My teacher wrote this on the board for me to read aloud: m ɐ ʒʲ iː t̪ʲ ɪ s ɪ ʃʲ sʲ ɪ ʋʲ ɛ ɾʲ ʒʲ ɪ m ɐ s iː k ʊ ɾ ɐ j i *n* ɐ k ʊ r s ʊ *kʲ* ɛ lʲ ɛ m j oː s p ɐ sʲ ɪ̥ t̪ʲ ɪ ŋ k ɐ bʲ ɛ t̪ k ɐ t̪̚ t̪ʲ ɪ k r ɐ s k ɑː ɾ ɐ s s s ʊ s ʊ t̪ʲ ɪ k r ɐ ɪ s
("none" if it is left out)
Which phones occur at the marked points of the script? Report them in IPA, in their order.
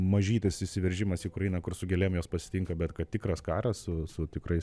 n, ɡʲ

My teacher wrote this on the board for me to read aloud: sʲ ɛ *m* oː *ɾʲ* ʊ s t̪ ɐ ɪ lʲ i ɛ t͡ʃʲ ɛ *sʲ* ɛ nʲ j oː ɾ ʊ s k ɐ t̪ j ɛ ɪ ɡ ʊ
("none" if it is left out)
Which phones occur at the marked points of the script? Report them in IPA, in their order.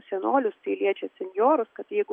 n, lʲ, sʲ

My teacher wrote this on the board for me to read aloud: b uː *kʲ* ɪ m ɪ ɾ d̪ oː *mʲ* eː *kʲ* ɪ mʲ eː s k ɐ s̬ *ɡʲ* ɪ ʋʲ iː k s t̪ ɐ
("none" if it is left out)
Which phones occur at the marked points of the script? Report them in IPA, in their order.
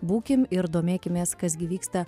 kʲ, mʲ, kʲ, ɡʲ

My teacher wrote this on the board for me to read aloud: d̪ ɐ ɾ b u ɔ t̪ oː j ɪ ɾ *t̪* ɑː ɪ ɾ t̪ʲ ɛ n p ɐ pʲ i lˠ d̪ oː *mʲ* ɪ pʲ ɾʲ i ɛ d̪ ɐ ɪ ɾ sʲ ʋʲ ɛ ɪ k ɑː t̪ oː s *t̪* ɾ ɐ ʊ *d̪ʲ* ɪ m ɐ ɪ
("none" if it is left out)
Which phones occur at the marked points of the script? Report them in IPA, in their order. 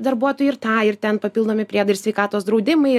t̪, mʲ, d̪, d̪ʲ

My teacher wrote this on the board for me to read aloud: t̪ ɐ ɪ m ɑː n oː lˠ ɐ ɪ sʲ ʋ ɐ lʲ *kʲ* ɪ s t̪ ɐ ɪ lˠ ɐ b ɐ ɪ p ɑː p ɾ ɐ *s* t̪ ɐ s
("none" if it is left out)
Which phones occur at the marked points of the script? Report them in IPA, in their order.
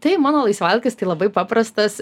kʲ, s

